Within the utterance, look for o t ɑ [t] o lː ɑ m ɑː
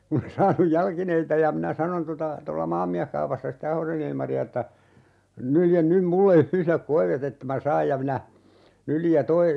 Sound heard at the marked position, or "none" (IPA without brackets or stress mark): t